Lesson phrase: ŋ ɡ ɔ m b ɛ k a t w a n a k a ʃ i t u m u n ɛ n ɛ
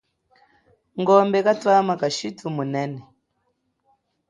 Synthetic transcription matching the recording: ŋ ɡ ɔ m b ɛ k a t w a m a k a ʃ i t u m u n ɛ n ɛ

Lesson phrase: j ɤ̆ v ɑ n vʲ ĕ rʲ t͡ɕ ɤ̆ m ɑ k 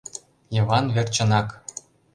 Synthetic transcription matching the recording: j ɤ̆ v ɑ n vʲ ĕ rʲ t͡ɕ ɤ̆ n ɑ k

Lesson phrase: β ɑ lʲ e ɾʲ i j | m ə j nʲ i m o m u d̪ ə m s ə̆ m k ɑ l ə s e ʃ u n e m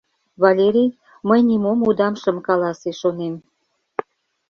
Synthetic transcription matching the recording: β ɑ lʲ e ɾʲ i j | m ə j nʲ i m o m u d̪ ɑ m ʃ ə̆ m k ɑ l ɑ s e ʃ o n e m

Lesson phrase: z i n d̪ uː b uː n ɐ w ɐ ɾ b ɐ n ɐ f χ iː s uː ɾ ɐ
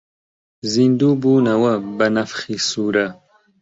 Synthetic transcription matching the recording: z i n d̪ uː b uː n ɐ w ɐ b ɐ n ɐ f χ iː s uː ɾ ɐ

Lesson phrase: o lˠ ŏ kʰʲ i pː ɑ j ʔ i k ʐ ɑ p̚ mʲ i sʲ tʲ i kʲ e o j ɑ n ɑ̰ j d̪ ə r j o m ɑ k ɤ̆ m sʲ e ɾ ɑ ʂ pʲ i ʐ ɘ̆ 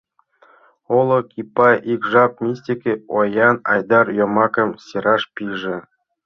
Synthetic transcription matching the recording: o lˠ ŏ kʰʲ i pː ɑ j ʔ i k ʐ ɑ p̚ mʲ i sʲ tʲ i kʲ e o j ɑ n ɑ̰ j d̪ ɑ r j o m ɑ k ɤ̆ m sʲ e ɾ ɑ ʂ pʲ i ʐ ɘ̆

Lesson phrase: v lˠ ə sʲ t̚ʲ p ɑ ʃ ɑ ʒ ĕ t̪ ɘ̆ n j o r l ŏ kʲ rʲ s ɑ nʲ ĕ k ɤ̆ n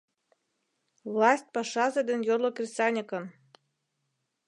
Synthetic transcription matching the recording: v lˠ ɑ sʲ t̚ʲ p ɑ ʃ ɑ z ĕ d̪ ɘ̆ n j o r l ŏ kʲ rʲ s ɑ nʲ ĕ k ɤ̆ n

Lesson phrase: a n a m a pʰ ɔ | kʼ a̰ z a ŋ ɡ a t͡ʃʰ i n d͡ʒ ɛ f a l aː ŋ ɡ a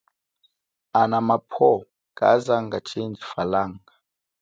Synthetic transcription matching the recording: a n a m a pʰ ɔ | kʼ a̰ z a ŋ ɡ a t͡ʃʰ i n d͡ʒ i f a l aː ŋ ɡ a

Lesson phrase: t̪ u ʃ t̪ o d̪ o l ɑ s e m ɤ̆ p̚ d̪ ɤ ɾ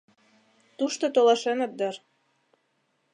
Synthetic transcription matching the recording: t̪ u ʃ t̪ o t̪ o l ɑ ʃ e n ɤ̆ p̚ d̪ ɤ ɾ

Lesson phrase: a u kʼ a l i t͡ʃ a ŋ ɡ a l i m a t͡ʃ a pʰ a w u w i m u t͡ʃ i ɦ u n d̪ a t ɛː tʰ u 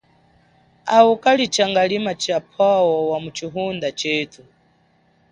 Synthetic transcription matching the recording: a u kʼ a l i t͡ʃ a ŋ ɡ a l i m a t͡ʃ a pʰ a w ɔ w a m u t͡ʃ i ɦ u n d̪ a t͡ʃ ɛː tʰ u

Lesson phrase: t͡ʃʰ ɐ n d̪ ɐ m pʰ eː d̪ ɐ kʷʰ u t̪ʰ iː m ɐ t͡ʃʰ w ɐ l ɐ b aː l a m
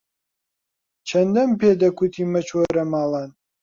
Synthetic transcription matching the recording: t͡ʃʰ ɐ n d̪ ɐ m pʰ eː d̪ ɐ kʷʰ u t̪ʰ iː m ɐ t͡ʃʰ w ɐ ɾ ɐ m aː l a n

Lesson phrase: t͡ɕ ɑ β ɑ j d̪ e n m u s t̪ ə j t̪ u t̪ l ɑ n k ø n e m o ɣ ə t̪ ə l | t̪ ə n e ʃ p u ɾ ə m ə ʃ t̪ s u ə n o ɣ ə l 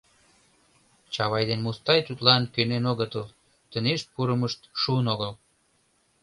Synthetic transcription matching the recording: t͡ɕ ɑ β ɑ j d̪ e n m u s t̪ ɑ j t̪ u t̪ l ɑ n k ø n e n o ɣ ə t̪ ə l | t̪ ə n e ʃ p u ɾ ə m ə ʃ t̪ ʃ u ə n o ɣ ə l

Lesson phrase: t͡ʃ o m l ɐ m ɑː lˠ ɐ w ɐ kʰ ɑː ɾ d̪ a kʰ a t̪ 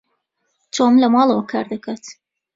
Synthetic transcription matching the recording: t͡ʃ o m l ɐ m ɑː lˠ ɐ w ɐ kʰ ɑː ɾ d̪ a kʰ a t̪

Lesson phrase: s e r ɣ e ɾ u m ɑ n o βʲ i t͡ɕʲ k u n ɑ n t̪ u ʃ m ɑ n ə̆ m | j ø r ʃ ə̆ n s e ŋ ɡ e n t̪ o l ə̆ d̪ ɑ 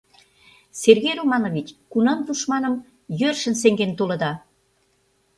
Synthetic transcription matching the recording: s e r ɣ e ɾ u m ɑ n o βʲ i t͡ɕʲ k u n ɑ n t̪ u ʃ m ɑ n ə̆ m | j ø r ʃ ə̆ n s e ŋ ɡ e n t̪ o l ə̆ d̪ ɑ

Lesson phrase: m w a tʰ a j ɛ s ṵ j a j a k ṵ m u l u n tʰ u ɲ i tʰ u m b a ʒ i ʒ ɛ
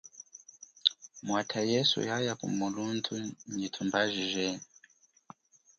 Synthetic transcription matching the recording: m w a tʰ a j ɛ s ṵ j a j a k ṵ m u l u n tʰ u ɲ i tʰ u m b a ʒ i ʒ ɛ

